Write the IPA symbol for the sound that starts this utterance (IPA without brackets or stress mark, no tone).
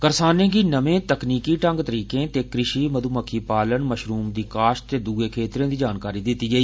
k